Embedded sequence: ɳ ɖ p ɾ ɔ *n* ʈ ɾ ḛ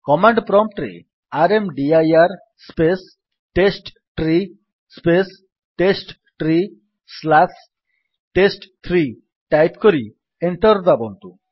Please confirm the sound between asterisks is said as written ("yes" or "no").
no